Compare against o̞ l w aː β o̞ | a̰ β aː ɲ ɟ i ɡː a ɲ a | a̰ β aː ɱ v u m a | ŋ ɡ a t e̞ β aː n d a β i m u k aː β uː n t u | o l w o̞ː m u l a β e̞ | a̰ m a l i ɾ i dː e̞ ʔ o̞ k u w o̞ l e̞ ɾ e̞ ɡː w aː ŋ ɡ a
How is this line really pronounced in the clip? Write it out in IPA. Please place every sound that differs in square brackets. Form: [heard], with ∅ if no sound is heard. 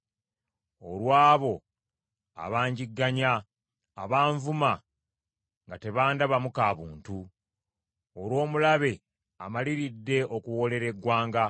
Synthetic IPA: o̞ l w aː β o̞ | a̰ β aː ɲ ɟ i ɡː a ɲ a | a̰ β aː ɱ v u m a | ŋ ɡ a t e̞ β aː n d a β [a] m u k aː β uː n t u | o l w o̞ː m u l a β e̞ | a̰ m a l i ɾ i dː e̞ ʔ o̞ k u w o̞ l e̞ ɾ e̞ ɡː w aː ŋ ɡ a